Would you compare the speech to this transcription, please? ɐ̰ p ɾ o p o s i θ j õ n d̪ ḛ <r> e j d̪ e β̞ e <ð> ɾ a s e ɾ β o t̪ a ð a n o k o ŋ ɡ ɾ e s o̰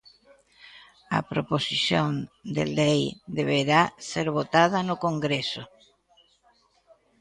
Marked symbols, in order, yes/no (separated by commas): no, no